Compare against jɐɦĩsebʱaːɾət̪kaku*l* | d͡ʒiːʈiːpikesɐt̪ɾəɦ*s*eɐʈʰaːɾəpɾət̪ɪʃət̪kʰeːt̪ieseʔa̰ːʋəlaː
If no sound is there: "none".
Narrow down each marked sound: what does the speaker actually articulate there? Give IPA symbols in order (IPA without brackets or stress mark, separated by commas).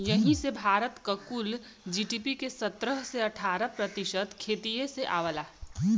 l, s